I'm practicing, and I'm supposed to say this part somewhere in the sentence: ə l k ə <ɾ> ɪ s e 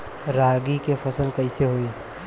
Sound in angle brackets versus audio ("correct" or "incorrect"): incorrect